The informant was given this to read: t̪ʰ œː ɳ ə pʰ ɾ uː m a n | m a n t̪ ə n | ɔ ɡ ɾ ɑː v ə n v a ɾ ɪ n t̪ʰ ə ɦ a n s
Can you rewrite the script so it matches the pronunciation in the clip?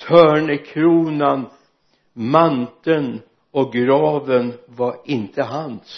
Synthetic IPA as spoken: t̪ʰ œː ɳ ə kʰ ɾ uː n a n | m a n t̪ ə n | ɔ ɡ ɾ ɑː v ə n v a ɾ ɪ n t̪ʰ ə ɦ a n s